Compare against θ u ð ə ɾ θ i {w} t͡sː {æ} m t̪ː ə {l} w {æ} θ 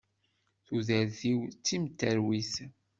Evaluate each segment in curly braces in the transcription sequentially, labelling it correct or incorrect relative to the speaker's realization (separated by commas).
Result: correct, incorrect, incorrect, incorrect